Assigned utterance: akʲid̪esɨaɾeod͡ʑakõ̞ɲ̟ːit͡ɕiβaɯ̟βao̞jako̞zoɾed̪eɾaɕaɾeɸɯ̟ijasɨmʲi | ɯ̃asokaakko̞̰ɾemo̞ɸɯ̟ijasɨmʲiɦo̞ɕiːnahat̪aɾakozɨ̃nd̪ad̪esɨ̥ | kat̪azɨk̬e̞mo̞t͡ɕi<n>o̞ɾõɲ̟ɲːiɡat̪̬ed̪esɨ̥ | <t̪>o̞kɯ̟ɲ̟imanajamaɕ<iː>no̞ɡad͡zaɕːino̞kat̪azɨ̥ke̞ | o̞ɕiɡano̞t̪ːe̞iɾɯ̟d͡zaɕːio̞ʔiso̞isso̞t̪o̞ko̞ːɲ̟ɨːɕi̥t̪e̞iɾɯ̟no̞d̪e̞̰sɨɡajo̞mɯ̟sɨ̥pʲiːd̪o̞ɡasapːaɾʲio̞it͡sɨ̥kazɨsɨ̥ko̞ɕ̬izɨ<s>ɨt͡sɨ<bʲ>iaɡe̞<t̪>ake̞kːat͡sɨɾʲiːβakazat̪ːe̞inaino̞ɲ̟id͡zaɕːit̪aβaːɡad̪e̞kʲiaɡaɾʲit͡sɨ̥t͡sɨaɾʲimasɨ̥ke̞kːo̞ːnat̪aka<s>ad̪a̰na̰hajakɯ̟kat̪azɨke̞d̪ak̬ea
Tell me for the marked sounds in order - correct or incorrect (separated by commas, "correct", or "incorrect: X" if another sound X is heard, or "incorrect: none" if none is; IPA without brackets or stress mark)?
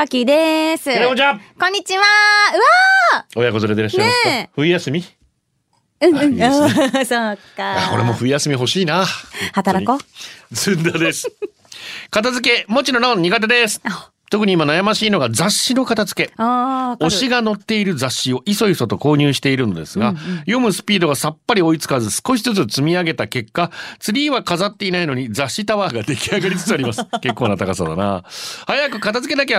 correct, correct, correct, incorrect: t͡s, incorrect: mʲ, correct, correct